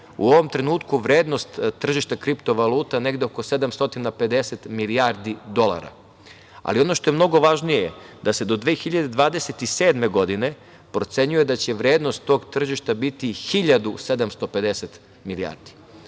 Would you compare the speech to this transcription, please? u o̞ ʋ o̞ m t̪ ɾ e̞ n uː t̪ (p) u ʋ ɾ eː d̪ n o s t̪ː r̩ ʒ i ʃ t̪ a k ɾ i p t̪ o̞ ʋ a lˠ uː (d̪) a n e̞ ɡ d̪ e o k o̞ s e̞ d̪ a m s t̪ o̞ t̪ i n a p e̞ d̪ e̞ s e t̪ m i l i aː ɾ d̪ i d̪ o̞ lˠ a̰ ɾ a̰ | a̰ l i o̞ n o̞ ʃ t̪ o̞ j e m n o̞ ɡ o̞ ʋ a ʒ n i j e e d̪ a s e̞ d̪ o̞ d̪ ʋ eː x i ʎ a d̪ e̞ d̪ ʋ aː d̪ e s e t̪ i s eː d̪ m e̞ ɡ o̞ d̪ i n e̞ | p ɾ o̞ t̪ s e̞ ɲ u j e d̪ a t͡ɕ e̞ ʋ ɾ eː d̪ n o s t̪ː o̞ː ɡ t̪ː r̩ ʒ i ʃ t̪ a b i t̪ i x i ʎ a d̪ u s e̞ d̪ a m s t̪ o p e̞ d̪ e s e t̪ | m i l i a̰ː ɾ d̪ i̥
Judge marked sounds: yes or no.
no, no

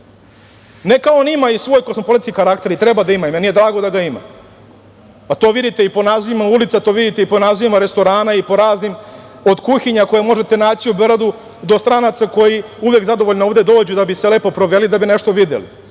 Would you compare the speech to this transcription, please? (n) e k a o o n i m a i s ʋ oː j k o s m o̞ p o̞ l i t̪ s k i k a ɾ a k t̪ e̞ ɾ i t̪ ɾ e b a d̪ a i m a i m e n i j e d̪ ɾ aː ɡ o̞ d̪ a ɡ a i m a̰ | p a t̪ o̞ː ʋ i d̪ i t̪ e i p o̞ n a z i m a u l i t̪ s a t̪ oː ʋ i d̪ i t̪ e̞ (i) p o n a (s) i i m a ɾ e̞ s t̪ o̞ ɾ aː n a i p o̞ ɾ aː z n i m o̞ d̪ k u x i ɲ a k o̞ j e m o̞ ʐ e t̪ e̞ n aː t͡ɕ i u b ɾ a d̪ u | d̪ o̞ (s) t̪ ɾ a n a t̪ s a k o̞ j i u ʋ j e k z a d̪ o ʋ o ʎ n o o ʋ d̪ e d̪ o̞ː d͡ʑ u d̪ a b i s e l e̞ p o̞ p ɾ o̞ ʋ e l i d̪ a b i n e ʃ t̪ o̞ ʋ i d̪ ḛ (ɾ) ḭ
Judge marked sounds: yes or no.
yes, yes, no, yes, no

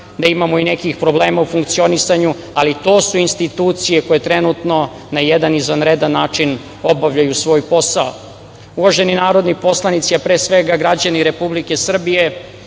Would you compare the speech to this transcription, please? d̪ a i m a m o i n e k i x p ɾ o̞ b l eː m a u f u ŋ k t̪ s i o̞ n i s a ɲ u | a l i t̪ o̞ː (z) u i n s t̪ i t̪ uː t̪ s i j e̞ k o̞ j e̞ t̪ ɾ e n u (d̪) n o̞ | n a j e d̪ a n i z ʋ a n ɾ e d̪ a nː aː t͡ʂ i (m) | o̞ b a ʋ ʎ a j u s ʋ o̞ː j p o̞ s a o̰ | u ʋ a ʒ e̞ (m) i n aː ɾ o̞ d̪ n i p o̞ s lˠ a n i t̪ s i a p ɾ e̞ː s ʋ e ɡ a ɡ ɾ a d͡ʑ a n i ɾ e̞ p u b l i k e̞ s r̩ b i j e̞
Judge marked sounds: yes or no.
no, no, no, no

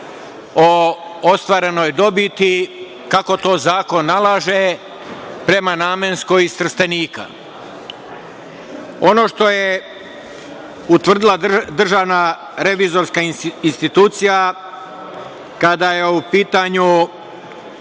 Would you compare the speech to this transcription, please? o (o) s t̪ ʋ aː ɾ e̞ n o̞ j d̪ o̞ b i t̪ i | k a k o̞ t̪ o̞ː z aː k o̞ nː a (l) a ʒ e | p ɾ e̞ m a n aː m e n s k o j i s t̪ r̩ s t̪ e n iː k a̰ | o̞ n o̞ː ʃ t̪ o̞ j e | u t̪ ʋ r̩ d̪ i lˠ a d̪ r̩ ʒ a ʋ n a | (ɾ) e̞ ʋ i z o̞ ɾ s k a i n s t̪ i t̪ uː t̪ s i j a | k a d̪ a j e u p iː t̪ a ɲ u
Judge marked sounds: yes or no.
yes, yes, yes

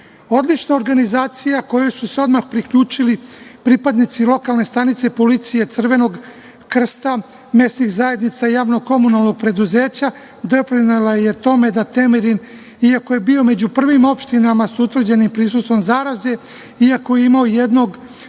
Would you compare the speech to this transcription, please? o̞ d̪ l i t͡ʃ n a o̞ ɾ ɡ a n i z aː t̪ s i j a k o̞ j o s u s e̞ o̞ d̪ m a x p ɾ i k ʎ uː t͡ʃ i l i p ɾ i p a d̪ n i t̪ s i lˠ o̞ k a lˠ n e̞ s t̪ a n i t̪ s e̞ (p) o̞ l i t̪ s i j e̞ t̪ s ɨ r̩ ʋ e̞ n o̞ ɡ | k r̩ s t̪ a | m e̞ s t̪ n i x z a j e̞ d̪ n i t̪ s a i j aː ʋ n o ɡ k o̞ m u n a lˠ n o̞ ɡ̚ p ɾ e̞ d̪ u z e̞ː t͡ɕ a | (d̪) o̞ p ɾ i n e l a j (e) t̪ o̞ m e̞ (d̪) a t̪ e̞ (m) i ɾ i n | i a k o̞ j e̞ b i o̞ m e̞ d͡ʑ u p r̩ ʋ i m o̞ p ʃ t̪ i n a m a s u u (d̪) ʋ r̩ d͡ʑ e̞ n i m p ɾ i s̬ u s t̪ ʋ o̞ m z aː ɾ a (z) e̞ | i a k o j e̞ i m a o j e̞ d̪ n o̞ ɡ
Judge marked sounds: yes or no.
yes, yes, yes, yes, yes, no, yes

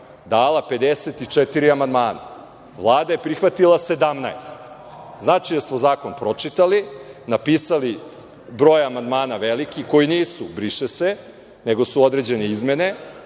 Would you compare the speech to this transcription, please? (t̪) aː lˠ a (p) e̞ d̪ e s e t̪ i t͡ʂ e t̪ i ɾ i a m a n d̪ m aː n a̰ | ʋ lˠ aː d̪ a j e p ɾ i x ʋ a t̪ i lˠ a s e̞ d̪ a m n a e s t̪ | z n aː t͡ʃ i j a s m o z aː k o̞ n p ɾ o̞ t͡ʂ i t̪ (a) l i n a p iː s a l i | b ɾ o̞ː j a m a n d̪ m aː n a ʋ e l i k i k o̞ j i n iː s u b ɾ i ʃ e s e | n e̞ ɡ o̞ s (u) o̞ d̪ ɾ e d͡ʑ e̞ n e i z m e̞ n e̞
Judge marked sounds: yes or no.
no, yes, yes, yes

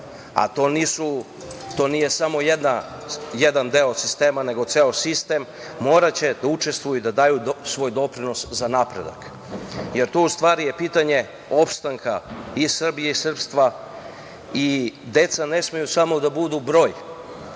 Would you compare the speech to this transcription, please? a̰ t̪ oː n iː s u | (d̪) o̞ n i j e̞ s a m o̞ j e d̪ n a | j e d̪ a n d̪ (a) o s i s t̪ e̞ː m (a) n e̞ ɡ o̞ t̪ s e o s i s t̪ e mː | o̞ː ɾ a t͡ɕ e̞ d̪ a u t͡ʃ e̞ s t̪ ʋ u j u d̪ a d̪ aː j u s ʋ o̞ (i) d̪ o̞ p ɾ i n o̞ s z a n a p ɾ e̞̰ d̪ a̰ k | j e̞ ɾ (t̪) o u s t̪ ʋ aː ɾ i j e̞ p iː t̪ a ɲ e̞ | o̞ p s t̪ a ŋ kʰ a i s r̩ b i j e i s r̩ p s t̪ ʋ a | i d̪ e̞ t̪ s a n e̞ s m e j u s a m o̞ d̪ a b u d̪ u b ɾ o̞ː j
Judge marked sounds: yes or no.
no, no, yes, no, yes

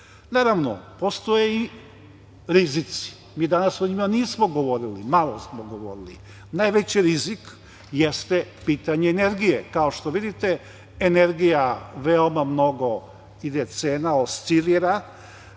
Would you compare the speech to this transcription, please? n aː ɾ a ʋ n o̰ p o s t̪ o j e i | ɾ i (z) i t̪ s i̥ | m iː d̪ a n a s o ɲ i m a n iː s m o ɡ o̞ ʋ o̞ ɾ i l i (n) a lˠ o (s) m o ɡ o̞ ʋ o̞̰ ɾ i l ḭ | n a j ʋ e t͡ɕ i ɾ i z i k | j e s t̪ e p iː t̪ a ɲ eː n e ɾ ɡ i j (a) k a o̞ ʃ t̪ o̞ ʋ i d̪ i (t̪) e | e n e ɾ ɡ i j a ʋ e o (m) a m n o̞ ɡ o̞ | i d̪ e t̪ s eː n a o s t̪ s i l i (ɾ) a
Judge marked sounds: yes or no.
yes, no, yes, no, yes, yes, yes

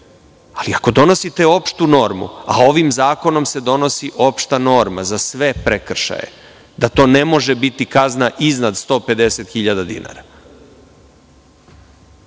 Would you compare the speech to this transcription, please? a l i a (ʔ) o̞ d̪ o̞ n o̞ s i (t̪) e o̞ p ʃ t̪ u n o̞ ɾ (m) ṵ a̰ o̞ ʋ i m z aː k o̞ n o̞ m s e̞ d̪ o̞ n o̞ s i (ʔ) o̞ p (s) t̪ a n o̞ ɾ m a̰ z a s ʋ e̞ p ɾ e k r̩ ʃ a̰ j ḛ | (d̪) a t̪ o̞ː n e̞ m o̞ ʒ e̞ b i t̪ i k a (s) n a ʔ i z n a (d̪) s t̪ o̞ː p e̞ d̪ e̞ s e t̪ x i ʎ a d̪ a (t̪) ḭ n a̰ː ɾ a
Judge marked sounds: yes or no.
no, yes, yes, yes, no, yes, no, yes, no

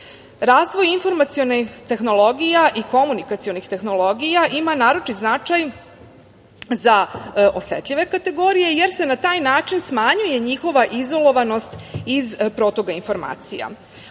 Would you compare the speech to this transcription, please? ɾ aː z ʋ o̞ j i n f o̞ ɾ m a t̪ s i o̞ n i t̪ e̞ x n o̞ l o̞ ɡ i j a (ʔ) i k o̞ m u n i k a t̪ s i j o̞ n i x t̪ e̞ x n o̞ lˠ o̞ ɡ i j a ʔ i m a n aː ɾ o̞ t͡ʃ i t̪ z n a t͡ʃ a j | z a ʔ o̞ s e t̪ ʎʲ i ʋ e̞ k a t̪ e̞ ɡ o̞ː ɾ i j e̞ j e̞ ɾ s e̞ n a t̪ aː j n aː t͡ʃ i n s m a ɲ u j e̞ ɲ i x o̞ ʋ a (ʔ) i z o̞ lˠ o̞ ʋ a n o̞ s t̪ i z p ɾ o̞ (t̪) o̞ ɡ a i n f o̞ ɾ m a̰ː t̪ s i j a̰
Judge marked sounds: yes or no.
yes, yes, yes

